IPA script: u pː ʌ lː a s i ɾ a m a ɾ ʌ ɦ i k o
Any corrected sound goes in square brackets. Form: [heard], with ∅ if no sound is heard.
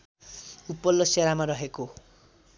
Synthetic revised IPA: u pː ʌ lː [ʌ] s [e] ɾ a m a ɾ ʌ ɦ [e] k o